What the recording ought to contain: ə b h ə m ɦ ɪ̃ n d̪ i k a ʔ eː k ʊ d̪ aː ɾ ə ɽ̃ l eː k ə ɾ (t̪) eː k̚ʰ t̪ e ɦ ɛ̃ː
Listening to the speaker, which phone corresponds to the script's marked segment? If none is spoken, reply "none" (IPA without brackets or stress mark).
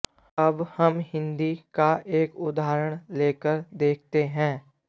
d̪